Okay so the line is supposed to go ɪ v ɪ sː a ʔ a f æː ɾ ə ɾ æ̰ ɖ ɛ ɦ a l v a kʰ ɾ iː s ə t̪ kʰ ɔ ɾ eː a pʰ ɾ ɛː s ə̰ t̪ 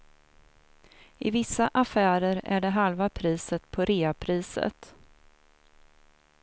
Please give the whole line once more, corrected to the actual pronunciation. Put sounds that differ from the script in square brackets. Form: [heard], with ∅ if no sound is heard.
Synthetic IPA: ɪ v ɪ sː a ʔ a f æː ɾ ə ɾ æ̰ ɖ ɛ ɦ a l v a [pʰ] ɾ iː s ə t̪ [pʰ] ɔ ɾ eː a pʰ ɾ [iː] s ə̰ t̪